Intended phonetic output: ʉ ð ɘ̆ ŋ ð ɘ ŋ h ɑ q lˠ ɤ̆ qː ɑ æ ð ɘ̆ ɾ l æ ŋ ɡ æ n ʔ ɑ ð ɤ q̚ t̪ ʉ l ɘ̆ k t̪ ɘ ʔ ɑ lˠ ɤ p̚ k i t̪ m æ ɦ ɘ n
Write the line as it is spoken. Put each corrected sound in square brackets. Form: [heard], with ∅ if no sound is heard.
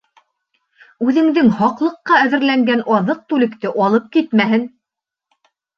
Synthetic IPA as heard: ʉ ð ɘ̆ ŋ ð ɘ ŋ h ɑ q lˠ ɤ̆ qː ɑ æ ð ɘ̆ ɾ l æ ŋ ɡ æ n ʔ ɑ ð ɤ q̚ t̪ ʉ l ɘ̆ k t̪ ɘ ʔ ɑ lˠ ɤ p̚ k i t̪ m æ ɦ ɘ n